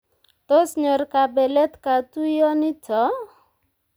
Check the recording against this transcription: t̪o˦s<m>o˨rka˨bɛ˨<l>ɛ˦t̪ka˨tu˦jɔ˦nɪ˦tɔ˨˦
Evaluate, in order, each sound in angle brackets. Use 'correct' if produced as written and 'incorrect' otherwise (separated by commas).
incorrect, correct